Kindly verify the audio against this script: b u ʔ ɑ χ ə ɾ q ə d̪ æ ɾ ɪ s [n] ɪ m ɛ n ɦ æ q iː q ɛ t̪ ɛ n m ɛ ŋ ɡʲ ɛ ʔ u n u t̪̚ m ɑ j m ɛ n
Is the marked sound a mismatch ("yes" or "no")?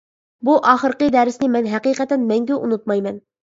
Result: no